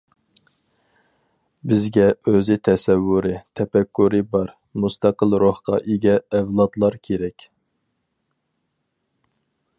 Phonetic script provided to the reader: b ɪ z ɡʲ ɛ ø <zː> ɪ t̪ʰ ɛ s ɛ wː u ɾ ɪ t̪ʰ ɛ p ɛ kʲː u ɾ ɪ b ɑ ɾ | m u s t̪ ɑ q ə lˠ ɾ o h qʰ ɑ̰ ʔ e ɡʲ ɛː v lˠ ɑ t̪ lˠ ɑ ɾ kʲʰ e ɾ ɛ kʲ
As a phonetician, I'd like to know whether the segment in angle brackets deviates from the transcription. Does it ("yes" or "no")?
yes